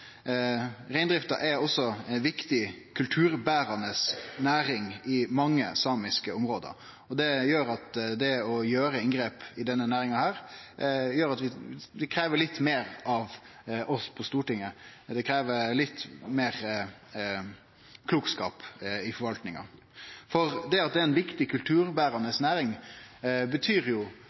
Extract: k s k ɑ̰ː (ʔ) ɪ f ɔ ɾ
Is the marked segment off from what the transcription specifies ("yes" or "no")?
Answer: yes